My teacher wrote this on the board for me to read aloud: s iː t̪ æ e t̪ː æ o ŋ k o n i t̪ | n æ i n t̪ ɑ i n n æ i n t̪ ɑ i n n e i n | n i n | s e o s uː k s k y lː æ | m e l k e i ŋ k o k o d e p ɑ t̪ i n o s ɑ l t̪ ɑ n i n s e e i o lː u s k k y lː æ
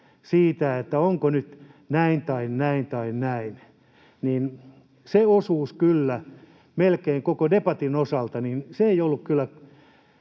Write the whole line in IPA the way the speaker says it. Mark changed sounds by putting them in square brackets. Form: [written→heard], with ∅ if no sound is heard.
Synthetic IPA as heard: s iː t̪ æ e t̪ː æ o ŋ k o n [i→y] t̪ | n æ i n t̪ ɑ i n n æ i n t̪ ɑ i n n [e→æ] i n | n i n | s e o s uː [k→∅] s k y lː æ | m e l k e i ŋ k o k o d e p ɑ t̪ i n o s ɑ l t̪ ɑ n i n s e e i o lː u [s→∅] k k y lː æ